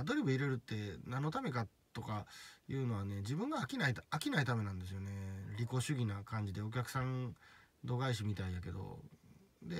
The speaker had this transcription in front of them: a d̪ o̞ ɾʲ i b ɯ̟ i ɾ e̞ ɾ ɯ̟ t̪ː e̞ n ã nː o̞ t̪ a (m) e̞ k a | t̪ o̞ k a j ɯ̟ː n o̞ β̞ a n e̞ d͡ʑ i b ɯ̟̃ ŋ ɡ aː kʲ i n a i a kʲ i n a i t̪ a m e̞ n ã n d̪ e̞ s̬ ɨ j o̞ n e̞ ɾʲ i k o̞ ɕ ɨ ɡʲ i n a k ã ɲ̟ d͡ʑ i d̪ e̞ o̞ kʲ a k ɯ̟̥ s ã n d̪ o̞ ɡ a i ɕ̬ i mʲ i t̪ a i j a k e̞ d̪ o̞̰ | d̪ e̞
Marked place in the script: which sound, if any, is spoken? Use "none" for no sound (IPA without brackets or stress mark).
m